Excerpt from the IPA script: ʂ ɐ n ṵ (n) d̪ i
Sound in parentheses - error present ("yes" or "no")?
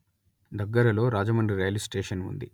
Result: no